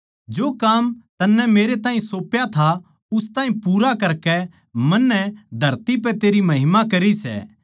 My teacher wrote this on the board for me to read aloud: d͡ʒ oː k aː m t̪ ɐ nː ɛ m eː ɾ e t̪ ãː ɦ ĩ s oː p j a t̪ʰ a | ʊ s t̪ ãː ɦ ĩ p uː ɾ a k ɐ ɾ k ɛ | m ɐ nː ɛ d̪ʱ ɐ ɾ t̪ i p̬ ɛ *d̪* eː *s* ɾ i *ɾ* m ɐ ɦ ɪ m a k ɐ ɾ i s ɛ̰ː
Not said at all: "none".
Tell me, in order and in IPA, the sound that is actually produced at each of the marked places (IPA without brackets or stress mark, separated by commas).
t̪, none, none